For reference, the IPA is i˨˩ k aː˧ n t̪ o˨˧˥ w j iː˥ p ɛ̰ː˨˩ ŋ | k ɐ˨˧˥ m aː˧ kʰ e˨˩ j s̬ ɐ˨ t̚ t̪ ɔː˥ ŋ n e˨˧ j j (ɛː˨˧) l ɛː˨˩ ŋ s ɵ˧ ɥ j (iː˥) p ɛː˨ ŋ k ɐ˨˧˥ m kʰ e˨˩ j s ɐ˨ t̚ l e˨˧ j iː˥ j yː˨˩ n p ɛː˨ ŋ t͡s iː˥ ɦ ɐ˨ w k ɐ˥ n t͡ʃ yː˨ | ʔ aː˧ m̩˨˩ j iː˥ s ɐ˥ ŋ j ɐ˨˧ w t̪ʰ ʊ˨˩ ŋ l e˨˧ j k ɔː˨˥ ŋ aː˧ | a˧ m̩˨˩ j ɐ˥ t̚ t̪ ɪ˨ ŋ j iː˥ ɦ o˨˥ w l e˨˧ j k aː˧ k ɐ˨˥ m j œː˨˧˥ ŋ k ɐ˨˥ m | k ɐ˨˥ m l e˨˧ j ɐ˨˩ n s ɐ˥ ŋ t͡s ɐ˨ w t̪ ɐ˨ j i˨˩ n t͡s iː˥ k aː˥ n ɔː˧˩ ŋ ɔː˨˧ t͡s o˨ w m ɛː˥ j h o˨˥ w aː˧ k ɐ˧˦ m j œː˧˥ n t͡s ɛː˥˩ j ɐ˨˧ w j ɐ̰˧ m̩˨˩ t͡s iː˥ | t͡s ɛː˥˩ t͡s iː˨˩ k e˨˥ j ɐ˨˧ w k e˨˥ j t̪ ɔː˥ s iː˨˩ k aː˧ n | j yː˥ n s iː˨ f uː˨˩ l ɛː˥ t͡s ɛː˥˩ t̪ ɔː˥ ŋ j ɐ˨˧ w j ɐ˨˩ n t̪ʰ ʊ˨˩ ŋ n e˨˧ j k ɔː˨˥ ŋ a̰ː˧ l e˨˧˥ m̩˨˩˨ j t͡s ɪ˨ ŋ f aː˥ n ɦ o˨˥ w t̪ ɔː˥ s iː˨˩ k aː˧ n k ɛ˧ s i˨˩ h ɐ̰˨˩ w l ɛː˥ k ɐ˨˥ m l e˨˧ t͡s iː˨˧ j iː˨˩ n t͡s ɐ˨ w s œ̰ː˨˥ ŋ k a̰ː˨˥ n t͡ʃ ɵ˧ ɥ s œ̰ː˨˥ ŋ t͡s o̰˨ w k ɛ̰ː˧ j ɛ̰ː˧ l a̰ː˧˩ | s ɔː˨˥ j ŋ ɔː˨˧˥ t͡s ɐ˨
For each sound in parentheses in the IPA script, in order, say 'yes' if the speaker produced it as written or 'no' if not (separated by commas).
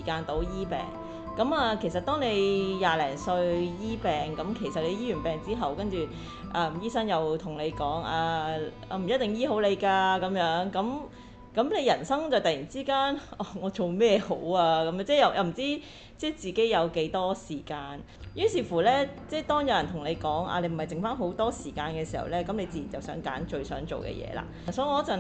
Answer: no, yes